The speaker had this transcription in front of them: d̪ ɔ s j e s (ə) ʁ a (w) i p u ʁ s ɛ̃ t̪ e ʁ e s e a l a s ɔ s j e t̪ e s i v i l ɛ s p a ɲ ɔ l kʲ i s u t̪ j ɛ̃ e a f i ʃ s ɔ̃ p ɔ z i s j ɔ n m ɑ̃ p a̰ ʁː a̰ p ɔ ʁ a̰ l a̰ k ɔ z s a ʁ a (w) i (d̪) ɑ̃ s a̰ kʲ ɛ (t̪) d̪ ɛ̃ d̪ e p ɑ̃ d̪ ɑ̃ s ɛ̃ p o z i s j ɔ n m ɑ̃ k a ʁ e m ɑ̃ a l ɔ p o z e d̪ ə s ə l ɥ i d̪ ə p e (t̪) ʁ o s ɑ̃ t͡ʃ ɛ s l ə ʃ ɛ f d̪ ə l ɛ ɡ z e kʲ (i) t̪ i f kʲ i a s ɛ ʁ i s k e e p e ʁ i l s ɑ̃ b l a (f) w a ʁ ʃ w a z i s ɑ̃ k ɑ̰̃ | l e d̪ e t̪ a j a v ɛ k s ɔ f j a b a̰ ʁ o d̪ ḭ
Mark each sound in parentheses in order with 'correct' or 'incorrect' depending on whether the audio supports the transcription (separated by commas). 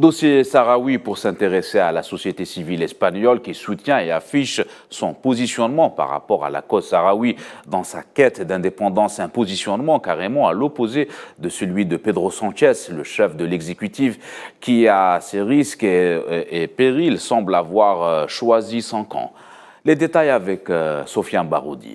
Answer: incorrect, correct, correct, correct, correct, incorrect, incorrect, incorrect